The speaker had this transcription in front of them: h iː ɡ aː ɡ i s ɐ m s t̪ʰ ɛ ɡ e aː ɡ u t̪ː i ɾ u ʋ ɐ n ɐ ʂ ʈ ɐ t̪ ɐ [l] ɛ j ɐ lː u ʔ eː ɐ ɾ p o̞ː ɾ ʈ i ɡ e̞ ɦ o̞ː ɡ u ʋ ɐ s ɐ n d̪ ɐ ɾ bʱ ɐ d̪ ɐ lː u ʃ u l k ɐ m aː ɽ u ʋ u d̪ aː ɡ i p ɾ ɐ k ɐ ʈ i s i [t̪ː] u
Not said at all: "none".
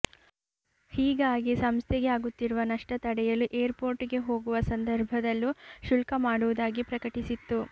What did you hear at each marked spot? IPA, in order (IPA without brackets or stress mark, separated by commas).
ɽ, t̪ː